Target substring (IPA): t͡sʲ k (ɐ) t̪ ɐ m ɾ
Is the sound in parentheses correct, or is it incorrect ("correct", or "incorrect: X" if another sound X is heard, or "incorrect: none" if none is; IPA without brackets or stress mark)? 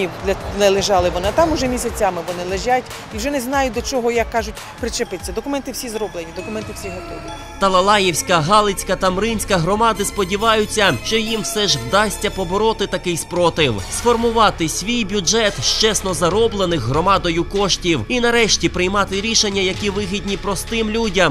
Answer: correct